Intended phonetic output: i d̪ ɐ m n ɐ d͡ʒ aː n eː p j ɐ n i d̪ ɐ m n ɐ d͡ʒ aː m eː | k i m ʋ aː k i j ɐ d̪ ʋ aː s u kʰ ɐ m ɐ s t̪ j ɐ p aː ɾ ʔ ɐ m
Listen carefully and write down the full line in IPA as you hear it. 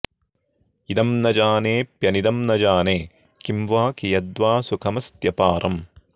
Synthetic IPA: i d̪ ɐ m n ɐ d͡ʒ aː n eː p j ɐ n i d̪ ɐ m n ɐ d͡ʒ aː n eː | k i m ʋ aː k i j ɐ d̪ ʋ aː s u kʰ ɐ m ɐ s t̪ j ɐ p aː ɾ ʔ ɐ m